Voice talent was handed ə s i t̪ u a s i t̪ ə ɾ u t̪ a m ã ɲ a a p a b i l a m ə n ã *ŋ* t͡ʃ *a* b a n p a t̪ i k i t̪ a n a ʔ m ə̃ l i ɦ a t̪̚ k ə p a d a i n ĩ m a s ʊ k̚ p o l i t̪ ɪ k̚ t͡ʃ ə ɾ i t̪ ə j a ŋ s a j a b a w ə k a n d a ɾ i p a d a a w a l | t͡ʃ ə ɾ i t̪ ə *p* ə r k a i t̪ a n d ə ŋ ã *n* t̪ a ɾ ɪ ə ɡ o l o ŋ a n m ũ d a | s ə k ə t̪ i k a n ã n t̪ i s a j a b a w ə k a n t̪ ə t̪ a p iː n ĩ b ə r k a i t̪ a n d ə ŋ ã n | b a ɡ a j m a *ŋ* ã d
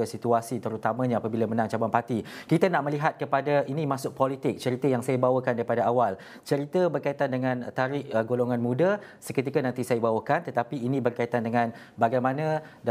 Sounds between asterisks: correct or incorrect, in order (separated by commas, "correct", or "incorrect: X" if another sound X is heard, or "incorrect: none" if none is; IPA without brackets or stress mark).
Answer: correct, correct, incorrect: b, correct, incorrect: n